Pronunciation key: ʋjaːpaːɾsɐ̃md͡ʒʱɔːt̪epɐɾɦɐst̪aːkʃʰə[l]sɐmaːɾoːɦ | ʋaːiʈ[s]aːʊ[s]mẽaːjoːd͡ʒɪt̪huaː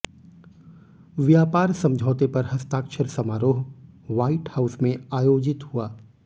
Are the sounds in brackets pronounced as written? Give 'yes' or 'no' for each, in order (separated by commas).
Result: no, no, yes